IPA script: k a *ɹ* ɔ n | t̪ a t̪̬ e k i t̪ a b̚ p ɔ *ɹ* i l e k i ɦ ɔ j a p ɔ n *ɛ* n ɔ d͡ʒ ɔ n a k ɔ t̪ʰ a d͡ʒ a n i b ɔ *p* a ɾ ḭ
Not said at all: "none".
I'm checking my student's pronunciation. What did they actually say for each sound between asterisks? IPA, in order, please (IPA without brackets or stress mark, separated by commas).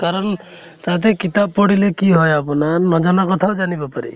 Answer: ɾ, ɽ, a, p